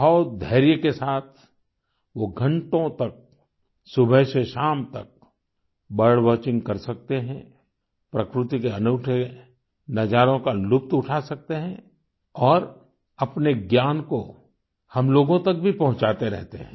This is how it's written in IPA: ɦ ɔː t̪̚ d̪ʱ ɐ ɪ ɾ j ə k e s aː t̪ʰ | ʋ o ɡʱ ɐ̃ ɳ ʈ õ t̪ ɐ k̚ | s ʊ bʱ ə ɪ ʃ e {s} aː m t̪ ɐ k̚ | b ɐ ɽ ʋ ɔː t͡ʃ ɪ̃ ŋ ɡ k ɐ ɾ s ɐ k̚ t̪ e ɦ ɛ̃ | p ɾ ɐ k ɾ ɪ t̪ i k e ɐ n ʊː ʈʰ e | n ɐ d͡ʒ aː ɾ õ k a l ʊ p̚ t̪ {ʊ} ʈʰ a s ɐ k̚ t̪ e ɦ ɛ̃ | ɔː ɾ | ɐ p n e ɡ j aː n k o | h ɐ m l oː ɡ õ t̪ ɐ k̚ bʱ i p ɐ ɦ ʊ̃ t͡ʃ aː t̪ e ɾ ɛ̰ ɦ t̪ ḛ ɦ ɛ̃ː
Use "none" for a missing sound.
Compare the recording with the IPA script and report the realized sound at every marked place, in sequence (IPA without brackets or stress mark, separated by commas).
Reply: ʃ, ʊ